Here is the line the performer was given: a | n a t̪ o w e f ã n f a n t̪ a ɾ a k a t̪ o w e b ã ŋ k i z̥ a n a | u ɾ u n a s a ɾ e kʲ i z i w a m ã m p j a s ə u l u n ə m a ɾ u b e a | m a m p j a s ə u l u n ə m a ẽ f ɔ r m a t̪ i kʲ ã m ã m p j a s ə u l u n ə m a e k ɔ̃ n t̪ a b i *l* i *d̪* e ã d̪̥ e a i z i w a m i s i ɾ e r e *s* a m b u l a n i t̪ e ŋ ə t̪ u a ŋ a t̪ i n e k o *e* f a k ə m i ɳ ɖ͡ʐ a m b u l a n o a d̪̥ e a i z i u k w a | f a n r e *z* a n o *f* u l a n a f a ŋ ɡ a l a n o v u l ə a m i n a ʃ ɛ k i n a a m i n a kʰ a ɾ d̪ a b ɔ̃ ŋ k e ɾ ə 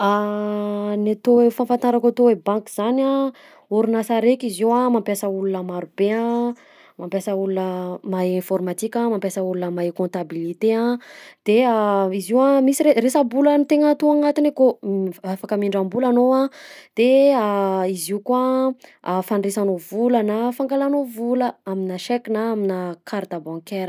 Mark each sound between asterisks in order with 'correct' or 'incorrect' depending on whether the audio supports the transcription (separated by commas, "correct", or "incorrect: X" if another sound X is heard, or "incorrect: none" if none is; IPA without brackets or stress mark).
correct, incorrect: t̪, correct, incorrect: a, incorrect: s, incorrect: v